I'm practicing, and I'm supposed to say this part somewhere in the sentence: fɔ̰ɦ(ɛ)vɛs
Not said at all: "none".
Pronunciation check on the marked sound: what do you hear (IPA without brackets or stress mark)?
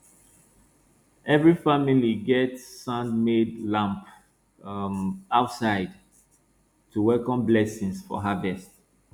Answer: a